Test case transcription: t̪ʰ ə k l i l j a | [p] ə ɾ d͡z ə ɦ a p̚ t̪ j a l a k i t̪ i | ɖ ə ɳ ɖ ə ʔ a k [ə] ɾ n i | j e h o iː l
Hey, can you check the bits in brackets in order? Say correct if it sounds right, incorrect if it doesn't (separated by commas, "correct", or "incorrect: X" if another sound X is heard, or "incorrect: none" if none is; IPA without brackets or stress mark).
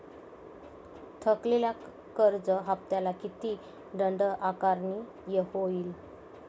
incorrect: k, incorrect: a